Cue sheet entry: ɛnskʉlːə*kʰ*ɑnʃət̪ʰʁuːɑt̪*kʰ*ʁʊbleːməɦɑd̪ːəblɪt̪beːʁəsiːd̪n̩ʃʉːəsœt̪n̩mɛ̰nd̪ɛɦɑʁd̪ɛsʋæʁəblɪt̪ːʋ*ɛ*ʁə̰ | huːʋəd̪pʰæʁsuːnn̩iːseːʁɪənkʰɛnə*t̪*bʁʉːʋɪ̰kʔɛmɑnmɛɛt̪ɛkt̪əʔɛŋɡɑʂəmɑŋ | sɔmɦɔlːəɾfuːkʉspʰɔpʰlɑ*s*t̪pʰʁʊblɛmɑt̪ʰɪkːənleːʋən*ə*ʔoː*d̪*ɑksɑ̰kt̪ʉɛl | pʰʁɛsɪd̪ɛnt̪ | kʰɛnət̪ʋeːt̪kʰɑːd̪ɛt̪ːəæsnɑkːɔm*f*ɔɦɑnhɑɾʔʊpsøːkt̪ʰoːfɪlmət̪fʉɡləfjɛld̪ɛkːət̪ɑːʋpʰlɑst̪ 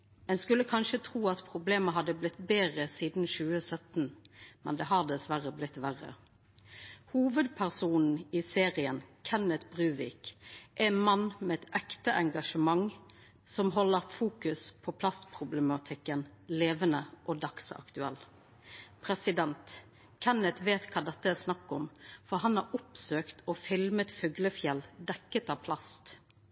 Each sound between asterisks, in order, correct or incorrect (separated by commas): correct, incorrect, incorrect, correct, correct, correct, correct, correct